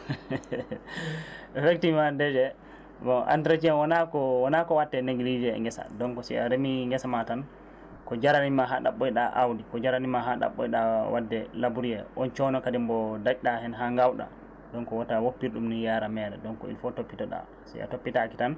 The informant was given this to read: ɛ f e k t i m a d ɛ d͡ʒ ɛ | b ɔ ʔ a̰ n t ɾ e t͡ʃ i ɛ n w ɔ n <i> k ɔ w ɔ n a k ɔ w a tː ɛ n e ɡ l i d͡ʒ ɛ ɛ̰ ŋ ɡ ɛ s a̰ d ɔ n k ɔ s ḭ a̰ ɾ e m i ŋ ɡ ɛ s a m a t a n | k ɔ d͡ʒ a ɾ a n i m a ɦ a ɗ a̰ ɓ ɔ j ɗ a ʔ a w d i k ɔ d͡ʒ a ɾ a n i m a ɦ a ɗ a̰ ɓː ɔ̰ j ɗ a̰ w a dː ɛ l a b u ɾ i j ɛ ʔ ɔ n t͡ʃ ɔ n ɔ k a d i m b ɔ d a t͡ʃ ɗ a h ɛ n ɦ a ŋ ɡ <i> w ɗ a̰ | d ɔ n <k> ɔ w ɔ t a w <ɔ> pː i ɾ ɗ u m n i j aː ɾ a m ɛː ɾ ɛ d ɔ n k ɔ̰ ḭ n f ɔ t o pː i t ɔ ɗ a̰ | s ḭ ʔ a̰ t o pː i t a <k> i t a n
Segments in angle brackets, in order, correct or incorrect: incorrect: a, incorrect: a, correct, incorrect: o, correct

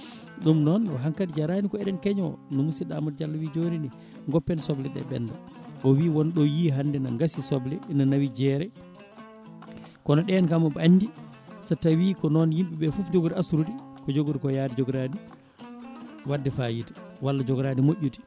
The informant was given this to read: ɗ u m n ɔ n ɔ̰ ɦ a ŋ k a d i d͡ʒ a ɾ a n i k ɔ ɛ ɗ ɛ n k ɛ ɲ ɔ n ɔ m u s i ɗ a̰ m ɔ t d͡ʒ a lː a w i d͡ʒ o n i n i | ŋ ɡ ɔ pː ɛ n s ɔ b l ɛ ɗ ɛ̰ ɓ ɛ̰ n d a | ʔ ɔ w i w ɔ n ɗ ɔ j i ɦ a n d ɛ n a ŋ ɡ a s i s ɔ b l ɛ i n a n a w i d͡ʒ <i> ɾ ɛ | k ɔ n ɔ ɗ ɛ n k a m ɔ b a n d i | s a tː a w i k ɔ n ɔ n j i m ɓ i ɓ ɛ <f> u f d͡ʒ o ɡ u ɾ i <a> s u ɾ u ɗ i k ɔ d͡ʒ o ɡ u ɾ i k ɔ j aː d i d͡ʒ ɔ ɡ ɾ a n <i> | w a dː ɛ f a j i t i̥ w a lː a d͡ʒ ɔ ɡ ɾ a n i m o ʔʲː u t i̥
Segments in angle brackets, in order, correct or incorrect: incorrect: ɛ, correct, correct, correct

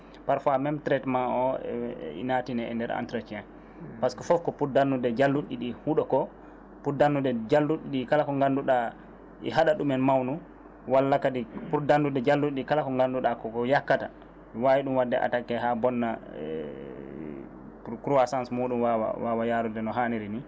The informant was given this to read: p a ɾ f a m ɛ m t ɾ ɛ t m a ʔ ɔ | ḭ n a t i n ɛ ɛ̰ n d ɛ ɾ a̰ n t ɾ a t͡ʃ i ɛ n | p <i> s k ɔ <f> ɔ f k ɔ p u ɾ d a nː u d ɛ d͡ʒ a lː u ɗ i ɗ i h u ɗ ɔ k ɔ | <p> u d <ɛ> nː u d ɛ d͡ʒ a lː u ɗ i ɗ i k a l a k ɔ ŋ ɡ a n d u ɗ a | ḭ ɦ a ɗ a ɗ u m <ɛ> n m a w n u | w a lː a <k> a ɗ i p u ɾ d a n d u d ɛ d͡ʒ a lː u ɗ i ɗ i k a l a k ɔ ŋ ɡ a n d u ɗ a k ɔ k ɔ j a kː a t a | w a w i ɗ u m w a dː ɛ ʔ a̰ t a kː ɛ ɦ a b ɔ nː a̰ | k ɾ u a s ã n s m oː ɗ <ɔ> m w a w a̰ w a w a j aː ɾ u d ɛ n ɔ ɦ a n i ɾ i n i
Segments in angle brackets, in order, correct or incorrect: incorrect: a, correct, correct, incorrect: a, correct, correct, incorrect: u

